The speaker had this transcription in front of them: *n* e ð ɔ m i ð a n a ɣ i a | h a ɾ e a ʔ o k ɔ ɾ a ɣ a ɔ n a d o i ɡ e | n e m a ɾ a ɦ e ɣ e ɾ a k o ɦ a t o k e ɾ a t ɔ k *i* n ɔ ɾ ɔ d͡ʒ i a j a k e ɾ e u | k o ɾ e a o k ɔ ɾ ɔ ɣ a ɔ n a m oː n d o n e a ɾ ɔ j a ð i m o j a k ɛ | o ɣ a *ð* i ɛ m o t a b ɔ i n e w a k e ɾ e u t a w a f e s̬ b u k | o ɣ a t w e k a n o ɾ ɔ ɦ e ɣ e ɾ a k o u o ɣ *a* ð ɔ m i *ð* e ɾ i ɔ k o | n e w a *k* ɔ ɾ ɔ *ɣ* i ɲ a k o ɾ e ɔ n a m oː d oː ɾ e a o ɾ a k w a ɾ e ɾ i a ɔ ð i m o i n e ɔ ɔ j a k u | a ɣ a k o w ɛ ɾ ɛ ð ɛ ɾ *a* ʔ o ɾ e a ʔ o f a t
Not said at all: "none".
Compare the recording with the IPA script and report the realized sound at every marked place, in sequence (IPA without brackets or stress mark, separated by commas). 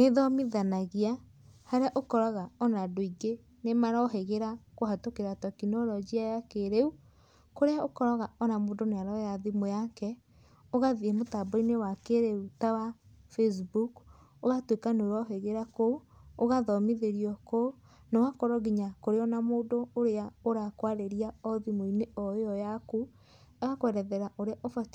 n, i, ð, a, ð, k, ɣ, a